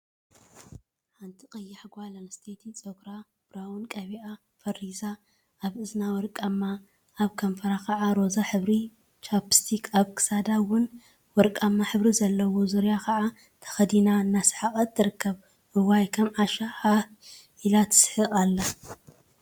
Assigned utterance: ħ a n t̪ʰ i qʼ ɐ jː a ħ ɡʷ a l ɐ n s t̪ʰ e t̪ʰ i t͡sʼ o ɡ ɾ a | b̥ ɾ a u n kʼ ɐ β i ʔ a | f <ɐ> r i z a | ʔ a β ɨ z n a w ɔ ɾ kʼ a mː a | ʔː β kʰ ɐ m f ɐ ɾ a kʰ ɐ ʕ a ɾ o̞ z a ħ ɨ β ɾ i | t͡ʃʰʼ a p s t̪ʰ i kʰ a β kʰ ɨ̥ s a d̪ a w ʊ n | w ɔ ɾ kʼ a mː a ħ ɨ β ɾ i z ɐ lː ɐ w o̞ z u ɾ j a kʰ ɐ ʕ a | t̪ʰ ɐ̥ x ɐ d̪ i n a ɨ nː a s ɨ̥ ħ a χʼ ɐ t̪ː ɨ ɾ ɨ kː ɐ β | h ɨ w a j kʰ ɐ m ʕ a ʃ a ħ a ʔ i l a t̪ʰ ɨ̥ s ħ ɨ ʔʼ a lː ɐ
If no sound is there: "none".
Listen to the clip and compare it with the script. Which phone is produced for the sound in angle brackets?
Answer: ɐ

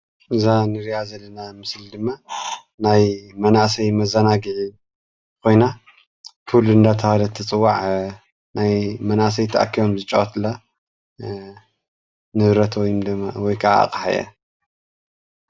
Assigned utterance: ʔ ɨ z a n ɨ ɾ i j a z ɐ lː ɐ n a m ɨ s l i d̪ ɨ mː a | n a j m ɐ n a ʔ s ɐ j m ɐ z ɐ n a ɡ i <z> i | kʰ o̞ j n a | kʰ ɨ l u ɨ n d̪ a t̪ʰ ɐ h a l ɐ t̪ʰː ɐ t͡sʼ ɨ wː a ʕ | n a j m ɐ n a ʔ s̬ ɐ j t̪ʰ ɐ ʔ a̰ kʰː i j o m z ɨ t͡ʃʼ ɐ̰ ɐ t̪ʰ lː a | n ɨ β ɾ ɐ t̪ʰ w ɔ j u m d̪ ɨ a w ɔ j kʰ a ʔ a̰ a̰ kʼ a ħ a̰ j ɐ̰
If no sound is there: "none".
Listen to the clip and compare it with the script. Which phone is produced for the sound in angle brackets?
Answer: ʕ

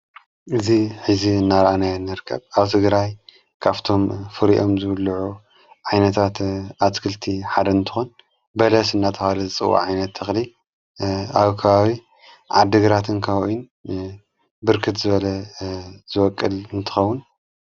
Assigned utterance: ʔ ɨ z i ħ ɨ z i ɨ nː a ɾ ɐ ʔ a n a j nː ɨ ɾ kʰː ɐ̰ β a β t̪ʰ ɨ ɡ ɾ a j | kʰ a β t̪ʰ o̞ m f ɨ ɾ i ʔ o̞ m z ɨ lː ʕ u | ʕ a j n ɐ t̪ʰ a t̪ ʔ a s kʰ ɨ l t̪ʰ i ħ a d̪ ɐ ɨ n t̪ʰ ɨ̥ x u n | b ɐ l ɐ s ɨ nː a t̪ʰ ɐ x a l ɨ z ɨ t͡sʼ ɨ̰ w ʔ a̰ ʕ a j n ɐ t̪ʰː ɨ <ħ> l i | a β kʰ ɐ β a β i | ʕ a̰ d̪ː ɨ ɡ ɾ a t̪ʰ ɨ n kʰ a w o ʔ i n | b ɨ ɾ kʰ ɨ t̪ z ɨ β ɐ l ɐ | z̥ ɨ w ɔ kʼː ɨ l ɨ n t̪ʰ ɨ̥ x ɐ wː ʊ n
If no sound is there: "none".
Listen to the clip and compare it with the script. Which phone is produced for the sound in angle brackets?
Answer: x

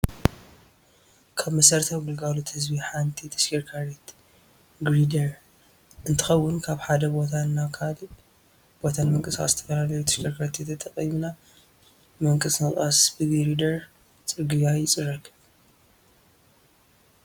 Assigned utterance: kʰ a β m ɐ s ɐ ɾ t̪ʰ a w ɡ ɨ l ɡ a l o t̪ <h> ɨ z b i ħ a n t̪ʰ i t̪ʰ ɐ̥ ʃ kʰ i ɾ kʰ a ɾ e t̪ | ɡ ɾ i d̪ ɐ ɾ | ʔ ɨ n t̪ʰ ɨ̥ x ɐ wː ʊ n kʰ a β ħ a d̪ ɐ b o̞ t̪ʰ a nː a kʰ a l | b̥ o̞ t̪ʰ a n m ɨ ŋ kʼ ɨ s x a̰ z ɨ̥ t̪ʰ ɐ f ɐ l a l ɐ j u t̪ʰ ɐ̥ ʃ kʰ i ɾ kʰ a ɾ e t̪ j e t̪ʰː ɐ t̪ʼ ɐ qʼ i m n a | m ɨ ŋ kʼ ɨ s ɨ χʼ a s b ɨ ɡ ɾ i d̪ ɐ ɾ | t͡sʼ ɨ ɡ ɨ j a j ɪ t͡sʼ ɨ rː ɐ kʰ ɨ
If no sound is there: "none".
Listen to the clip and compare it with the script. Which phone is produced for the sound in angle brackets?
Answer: h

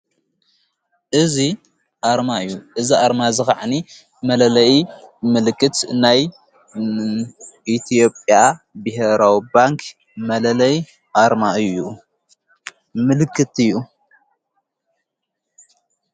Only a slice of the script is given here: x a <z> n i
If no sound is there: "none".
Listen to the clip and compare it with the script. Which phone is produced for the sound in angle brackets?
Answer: ʕ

